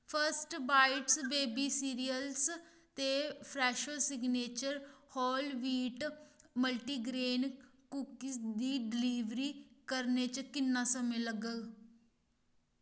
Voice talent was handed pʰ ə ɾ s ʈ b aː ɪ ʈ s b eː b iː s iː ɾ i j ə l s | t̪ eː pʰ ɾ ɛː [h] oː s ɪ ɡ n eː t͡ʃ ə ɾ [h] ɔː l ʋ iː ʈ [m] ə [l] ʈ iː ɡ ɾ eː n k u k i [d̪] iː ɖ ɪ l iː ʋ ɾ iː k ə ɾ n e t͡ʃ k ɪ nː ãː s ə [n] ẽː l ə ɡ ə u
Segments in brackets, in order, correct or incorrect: incorrect: ʃ, correct, correct, correct, correct, incorrect: m

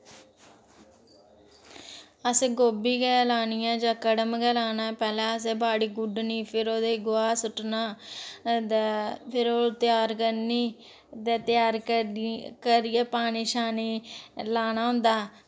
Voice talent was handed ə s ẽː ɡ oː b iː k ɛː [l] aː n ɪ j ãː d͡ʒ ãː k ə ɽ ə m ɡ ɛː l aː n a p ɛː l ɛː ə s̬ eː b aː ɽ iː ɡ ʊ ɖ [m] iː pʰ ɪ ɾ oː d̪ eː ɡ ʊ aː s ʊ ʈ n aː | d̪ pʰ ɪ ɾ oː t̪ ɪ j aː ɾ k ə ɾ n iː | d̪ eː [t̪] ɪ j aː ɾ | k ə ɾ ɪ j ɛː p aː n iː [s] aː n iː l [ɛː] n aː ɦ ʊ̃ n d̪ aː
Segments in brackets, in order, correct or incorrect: correct, incorrect: n, correct, incorrect: ʃ, incorrect: aː

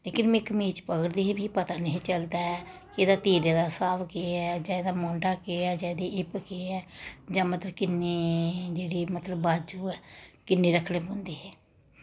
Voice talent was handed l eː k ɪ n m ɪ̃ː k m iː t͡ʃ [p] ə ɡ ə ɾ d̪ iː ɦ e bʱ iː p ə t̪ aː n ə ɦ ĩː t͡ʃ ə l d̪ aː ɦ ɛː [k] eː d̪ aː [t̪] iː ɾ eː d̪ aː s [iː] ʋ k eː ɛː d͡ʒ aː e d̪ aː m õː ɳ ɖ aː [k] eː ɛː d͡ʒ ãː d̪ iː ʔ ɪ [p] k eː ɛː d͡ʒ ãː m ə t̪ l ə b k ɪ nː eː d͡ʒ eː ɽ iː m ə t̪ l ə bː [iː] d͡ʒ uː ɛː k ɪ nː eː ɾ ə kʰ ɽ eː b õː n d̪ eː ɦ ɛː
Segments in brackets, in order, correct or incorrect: correct, correct, correct, incorrect: aː, correct, correct, incorrect: aː

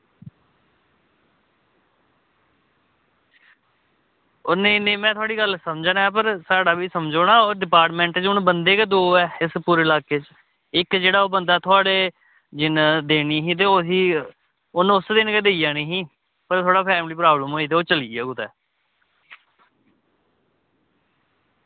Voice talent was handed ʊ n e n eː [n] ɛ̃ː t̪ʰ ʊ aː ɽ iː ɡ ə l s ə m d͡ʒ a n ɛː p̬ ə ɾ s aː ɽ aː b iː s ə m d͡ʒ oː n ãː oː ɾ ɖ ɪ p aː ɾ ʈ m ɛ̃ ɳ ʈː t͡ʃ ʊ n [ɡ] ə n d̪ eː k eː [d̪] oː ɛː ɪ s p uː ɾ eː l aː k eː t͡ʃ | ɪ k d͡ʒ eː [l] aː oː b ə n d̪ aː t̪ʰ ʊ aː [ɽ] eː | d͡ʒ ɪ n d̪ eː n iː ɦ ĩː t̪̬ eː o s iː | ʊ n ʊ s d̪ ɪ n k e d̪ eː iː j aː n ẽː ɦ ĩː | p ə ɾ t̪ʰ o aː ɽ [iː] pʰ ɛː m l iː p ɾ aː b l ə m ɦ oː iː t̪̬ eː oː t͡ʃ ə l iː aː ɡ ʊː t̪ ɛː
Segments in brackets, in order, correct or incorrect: incorrect: m, incorrect: b, correct, incorrect: ɽ, correct, incorrect: aː

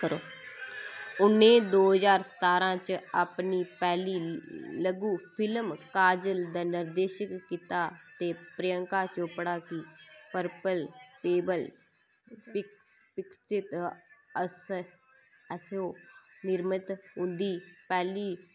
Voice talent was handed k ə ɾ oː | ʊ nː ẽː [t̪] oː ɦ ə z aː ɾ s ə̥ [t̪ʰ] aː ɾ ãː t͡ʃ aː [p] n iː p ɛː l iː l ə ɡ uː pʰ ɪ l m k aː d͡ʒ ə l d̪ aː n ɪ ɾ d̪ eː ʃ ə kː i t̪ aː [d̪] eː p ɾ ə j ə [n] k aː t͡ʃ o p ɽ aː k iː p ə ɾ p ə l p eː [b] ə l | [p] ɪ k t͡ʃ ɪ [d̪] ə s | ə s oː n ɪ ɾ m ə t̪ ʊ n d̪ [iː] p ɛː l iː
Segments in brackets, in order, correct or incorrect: incorrect: d̪, incorrect: t̪, correct, incorrect: t̪, incorrect: ŋ, correct, correct, incorrect: t̪, correct

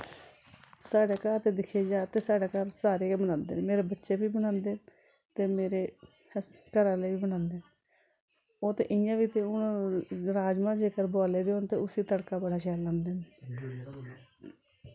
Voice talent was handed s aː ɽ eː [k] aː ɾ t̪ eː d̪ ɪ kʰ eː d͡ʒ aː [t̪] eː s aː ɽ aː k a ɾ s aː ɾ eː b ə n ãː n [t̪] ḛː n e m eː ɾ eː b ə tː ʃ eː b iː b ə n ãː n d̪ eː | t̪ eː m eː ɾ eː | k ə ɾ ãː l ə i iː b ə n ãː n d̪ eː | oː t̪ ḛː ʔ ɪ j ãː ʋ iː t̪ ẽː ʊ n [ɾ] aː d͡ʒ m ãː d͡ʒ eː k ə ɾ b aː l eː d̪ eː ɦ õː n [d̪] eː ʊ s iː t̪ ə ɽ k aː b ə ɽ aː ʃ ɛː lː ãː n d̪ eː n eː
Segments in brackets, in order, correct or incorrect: correct, correct, incorrect: d̪, correct, incorrect: t̪

